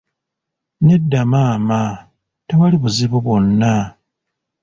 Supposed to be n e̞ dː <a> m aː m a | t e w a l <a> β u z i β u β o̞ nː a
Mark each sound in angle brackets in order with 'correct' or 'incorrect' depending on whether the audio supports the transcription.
correct, incorrect: i

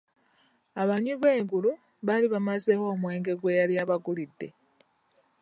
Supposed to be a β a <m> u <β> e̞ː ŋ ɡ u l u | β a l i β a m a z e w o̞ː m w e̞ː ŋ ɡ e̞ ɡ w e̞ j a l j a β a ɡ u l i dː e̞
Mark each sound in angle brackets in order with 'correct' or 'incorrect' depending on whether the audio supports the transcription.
incorrect: ɲ, correct

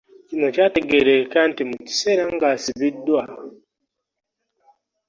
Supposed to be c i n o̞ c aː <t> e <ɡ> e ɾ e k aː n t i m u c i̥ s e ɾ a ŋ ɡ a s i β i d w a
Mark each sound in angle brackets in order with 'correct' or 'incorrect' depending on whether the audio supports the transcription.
correct, correct

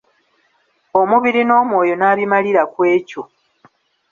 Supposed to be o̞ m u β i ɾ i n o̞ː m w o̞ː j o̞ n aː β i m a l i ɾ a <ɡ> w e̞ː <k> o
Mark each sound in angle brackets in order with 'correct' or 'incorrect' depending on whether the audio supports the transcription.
incorrect: k, incorrect: c

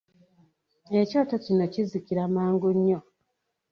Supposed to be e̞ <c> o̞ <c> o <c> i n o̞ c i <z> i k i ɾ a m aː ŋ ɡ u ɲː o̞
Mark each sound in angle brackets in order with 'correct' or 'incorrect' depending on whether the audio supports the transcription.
correct, incorrect: t, correct, correct

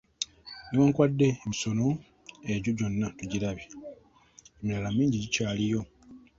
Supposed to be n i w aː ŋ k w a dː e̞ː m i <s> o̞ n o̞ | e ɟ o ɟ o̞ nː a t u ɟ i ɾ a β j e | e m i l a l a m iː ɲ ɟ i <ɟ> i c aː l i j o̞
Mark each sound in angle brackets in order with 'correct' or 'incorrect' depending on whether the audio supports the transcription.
correct, correct

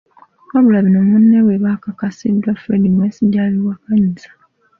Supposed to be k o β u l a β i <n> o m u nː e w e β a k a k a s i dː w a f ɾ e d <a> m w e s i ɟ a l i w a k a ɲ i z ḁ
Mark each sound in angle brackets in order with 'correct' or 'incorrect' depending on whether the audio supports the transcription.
correct, incorrect: i

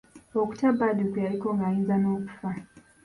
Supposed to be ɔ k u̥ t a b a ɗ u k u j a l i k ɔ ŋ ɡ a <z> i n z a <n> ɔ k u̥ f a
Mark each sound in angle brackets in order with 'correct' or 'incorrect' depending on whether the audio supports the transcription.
incorrect: none, correct

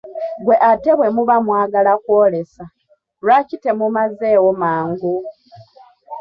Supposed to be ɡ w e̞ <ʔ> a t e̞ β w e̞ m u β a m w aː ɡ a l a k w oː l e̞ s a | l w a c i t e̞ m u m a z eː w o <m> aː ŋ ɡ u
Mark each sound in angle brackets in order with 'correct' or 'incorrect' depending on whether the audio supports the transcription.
correct, correct

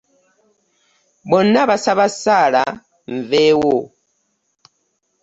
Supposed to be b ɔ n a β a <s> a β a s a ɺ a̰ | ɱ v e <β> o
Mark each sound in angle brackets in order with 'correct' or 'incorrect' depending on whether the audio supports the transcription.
correct, incorrect: w

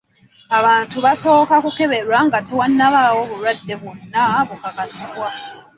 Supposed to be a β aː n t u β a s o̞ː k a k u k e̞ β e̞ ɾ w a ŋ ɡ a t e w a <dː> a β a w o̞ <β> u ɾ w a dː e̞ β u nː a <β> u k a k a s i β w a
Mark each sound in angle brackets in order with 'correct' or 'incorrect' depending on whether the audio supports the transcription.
incorrect: nː, correct, correct

